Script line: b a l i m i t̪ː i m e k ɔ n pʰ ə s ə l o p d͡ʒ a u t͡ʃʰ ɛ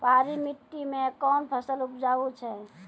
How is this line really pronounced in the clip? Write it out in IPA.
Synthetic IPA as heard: p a ɾ i m i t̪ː i m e k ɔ n pʰ ə s ə l u p d͡ʒ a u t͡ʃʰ ɛ